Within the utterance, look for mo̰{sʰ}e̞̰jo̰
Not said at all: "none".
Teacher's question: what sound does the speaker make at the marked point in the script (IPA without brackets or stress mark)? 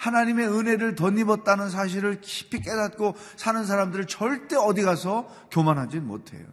tʰ